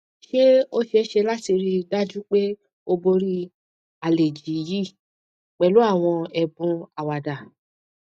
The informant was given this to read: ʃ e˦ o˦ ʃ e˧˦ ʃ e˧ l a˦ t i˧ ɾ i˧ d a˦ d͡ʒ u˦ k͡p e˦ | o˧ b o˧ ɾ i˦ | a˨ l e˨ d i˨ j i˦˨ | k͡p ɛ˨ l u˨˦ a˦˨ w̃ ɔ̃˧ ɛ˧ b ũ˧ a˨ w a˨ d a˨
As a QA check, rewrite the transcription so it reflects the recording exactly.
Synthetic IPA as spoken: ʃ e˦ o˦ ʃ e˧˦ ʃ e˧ l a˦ t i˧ ɾ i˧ d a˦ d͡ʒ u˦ k͡p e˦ | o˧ b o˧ ɾ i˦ | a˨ l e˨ d͡ʒ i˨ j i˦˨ | k͡p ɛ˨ l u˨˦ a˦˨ w̃ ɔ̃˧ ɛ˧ b ũ˧ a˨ w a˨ d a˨